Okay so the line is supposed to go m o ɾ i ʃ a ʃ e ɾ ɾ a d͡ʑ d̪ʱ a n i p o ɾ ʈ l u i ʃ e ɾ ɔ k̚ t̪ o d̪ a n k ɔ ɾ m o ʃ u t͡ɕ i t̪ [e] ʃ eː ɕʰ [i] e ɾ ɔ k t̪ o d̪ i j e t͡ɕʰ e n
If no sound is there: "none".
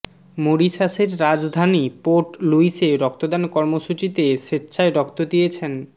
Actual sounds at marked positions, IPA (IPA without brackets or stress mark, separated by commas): e, a